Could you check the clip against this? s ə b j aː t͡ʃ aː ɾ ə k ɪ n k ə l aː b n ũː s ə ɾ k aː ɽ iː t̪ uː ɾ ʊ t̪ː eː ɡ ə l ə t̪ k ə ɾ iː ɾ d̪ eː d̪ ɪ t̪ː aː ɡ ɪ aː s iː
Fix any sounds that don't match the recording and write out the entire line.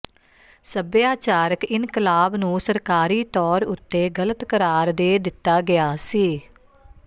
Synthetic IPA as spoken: s ə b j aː t͡ʃ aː ɾ ə k ɪ n k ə l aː b n ũː s ə ɾ k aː ɾ iː t̪ ɔː ɾ ʊ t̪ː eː ɡ ə l ə t̪ k ə ɾ aː ɾ d̪ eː d̪ ɪ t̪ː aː ɡ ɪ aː s iː